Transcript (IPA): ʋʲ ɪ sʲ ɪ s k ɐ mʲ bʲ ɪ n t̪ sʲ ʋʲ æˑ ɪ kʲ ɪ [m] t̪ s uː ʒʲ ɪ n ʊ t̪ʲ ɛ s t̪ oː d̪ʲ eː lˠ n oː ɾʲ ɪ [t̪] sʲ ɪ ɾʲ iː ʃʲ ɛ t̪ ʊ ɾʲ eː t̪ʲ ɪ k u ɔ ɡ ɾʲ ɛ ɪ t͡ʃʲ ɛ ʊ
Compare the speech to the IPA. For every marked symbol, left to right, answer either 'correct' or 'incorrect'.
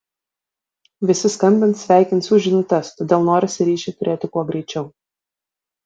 incorrect: n, incorrect: none

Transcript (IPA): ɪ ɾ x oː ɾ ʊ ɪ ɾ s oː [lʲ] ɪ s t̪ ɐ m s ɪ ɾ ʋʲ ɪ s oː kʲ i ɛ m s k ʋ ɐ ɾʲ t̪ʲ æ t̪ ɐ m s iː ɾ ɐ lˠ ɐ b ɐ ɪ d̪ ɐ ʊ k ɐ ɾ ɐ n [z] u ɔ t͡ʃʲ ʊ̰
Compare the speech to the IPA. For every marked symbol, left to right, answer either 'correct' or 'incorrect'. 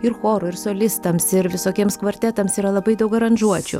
correct, incorrect: ʒ

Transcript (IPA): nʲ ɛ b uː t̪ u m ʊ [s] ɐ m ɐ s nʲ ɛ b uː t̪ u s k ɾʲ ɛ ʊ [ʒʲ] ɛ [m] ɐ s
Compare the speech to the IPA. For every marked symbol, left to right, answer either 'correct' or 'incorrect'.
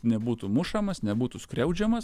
incorrect: ʃ, incorrect: d͡ʒʲ, correct

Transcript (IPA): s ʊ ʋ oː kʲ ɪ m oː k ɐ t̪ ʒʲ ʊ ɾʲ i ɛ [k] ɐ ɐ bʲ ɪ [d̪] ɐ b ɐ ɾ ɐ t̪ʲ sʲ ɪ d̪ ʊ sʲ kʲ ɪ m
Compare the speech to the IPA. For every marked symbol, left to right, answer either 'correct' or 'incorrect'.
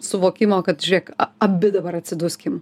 correct, correct

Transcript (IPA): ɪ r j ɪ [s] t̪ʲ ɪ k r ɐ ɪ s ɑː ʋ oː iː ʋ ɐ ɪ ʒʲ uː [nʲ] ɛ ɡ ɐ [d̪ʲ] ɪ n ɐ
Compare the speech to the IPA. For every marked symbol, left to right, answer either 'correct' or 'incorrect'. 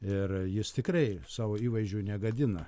correct, correct, correct

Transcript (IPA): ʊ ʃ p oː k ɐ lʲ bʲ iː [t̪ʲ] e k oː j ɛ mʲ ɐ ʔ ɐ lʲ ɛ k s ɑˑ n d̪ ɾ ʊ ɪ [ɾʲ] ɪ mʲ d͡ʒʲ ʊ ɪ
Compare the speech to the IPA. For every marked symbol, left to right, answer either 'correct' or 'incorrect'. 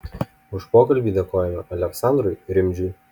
incorrect: d̪ʲ, correct

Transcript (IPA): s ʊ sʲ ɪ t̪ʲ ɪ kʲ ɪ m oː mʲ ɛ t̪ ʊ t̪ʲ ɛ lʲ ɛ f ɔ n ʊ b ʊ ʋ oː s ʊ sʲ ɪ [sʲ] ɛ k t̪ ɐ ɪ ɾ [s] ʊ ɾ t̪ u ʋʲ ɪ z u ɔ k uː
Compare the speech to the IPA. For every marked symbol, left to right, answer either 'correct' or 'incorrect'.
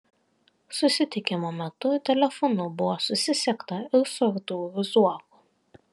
correct, correct

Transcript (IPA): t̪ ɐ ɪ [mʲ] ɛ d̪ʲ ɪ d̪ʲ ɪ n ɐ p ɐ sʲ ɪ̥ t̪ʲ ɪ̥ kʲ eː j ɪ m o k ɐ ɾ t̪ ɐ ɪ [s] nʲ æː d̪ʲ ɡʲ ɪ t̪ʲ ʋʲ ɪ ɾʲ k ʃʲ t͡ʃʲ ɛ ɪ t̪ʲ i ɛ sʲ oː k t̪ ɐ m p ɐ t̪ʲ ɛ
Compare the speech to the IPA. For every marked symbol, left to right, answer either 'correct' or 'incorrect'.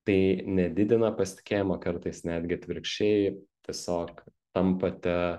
incorrect: nʲ, correct

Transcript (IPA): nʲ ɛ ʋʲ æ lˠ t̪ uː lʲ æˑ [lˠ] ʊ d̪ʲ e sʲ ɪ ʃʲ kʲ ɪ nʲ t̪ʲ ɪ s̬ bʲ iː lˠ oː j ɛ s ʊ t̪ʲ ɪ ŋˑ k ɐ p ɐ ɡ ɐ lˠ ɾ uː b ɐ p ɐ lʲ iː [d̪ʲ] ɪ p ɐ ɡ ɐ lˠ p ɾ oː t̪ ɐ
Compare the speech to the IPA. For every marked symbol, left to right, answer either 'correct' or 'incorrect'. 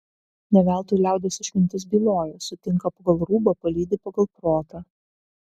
incorrect: none, correct

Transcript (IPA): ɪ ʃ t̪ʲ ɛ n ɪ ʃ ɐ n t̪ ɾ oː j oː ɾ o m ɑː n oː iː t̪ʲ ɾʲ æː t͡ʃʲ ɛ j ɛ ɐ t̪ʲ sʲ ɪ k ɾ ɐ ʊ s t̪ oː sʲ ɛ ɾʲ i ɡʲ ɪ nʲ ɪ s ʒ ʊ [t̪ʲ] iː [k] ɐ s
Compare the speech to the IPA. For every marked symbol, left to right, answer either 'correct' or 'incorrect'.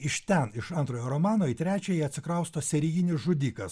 incorrect: d̪ʲ, correct

